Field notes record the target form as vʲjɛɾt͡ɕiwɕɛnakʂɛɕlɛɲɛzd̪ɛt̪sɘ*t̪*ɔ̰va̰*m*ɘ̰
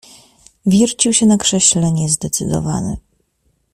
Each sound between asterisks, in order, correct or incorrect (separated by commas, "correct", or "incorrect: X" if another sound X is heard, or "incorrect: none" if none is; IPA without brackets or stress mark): incorrect: d̪, incorrect: n